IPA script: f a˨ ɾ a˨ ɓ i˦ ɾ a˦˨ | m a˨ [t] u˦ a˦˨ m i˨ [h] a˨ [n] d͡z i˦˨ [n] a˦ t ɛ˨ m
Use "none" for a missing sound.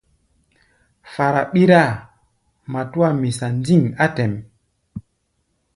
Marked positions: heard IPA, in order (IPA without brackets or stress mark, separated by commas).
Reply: t, s, n, ŋ